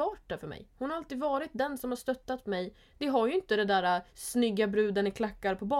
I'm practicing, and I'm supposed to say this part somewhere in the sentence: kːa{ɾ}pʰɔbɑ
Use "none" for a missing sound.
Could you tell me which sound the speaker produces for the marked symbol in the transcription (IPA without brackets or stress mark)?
ɾ